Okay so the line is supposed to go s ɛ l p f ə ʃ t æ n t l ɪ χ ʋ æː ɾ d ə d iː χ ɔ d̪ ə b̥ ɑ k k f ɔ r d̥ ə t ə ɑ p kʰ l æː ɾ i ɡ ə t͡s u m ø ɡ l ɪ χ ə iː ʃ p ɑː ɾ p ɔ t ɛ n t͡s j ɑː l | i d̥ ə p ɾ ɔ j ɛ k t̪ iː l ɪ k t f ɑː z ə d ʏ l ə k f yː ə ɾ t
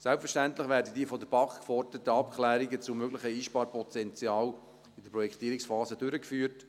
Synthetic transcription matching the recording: s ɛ l p f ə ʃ t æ n t l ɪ χ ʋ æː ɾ d ə d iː f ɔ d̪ ə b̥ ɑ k k f ɔ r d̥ ə t ə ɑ p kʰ l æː ɾ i ɡ ə t͡s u m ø ɡ l ɪ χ ə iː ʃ p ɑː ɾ p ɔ t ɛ n t͡s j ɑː l | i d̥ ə p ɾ ɔ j ɛ k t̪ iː ɾ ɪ k s f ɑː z ə d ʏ ɾ ə k f yː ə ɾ t